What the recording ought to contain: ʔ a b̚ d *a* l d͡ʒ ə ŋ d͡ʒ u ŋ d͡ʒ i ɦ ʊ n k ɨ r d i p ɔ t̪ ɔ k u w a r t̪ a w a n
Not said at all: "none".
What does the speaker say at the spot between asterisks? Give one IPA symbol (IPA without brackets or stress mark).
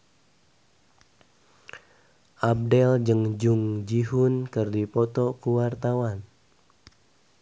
ɛ